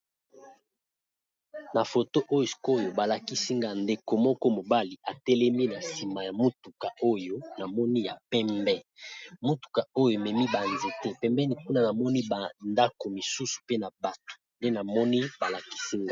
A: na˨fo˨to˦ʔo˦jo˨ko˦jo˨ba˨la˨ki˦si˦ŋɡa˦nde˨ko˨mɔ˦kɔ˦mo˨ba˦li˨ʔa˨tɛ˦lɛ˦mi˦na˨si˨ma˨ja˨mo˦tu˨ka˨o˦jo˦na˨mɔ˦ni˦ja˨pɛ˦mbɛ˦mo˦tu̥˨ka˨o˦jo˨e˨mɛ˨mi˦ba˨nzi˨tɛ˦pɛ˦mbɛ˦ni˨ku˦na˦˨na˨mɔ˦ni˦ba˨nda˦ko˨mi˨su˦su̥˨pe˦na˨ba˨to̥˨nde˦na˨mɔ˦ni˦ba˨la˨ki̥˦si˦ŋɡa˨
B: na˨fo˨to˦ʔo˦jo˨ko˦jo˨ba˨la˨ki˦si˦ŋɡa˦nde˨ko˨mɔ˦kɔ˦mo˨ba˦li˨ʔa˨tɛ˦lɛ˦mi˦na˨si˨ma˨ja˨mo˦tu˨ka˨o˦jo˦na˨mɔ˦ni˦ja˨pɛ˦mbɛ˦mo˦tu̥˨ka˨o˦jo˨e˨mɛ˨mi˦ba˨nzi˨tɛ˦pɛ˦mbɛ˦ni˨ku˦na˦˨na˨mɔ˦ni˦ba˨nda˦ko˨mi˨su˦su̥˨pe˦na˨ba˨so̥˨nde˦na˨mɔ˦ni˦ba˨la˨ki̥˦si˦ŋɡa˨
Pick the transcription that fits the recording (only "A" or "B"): A